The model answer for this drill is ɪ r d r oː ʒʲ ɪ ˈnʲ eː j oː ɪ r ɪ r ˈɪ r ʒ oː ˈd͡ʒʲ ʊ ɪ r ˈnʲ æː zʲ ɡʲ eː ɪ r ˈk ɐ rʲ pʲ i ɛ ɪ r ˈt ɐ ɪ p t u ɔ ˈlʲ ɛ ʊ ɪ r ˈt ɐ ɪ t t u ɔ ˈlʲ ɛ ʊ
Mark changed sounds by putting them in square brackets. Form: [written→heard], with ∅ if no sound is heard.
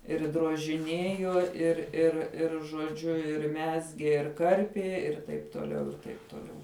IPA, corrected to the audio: ɪ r d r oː ʒʲ ɪ ˈnʲ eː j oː ɪ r ɪ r ˈɪ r ʒ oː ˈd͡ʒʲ ʊ ɪ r [ˈnʲ→ˈmʲ] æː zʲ ɡʲ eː ɪ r ˈk ɐ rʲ pʲ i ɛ ɪ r ˈt ɐ ɪ p t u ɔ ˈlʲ ɛ ʊ ɪ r ˈt ɐ ɪ [t→p] t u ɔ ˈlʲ ɛ ʊ